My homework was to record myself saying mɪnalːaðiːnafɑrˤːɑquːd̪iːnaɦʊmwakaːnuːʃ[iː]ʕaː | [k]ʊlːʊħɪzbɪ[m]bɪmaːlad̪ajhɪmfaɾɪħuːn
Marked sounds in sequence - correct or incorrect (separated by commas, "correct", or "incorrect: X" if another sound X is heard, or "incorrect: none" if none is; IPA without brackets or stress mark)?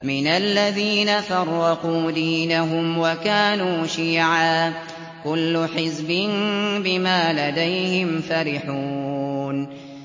correct, correct, incorrect: n